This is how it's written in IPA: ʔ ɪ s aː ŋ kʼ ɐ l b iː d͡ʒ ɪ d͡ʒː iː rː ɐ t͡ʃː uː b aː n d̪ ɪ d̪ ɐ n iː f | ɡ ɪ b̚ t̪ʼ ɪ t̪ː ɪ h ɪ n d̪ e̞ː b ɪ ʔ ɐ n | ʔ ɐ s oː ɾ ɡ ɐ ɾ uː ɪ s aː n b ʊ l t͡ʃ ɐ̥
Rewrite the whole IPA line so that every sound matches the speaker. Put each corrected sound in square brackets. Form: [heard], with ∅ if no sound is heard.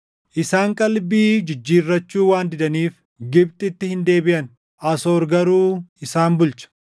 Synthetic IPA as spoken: ʔ ɪ s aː ŋ kʼ ɐ l b iː d͡ʒ ɪ d͡ʒː iː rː ɐ t͡ʃː uː [w] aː n d̪ ɪ d̪ ɐ n iː f | ɡ ɪ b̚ t̪ʼ ɪ t̪ː ɪ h ɪ n d̪ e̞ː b ɪ ʔ ɐ n | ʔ ɐ s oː ɾ ɡ ɐ ɾ uː ɪ s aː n b ʊ l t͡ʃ ɐ̥